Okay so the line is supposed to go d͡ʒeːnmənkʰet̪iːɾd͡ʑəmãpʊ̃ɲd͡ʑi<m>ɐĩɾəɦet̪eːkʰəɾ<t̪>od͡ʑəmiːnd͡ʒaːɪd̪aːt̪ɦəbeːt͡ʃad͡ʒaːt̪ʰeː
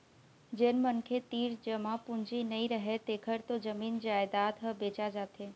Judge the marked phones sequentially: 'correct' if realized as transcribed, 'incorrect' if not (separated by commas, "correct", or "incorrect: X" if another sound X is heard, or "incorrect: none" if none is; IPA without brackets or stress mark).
incorrect: n, correct